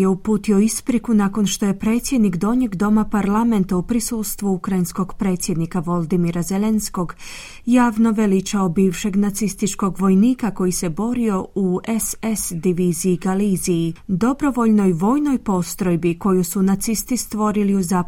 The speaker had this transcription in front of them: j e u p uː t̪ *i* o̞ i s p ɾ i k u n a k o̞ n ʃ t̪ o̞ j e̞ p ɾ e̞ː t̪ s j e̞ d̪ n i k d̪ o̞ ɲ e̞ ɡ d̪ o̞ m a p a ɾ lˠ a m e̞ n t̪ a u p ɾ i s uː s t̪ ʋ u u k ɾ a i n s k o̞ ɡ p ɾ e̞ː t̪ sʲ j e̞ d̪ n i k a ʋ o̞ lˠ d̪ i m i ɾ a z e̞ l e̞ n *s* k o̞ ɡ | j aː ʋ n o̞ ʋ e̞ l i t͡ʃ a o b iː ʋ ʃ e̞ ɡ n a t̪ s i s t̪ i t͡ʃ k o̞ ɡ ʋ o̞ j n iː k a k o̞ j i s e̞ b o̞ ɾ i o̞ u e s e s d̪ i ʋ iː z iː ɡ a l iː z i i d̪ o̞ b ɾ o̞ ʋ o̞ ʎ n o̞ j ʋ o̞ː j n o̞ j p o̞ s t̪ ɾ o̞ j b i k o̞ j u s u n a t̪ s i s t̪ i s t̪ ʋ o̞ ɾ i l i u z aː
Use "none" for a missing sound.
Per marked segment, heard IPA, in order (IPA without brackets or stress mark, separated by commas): i, s